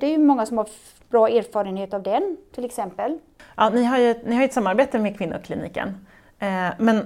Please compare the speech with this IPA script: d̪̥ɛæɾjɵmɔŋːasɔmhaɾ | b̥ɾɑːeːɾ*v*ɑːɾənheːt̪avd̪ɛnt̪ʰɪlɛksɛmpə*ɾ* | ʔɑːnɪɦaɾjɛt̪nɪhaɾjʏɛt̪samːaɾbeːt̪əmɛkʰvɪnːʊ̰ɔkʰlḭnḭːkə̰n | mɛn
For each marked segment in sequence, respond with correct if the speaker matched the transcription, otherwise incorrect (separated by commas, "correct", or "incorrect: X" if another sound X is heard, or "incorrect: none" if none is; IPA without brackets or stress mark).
incorrect: f, incorrect: l